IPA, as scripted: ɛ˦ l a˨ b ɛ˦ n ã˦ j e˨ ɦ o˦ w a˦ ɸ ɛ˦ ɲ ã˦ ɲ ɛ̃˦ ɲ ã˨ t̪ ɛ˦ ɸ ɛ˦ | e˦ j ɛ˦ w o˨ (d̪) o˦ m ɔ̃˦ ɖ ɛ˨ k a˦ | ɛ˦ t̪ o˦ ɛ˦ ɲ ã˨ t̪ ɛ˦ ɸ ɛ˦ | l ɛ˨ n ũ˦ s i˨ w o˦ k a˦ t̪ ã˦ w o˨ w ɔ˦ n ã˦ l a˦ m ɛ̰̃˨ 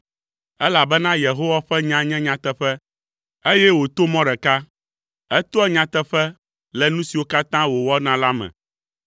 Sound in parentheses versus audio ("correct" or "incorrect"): incorrect